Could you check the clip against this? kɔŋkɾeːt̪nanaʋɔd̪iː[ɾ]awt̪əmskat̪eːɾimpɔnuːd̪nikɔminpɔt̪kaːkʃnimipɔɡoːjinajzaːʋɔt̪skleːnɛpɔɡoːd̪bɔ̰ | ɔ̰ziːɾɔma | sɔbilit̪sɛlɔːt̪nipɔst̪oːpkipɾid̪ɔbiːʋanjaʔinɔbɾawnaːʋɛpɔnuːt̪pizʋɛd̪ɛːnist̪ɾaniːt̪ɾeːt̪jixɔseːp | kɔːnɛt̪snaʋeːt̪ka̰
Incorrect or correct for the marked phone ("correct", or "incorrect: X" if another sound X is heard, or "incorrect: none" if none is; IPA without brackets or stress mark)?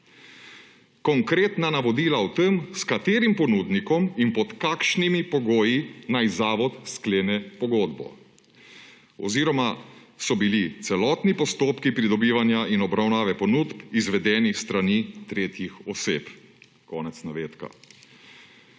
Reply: incorrect: l